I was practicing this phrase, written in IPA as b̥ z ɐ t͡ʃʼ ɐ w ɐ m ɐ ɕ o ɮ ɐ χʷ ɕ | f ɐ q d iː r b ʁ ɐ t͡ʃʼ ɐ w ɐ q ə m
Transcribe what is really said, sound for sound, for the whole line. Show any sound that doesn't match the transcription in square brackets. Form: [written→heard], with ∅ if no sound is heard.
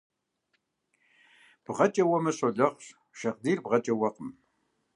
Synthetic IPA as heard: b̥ [z→ʁ] ɐ t͡ʃʼ ɐ w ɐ m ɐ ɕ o ɮ ɐ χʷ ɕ | [f→ʃ] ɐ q d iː r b ʁ ɐ t͡ʃʼ ɐ w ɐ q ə m